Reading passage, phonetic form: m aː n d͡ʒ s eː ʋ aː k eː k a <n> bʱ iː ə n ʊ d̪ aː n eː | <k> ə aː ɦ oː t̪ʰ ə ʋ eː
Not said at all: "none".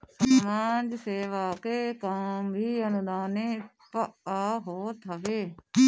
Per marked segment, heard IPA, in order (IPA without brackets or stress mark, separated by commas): m, p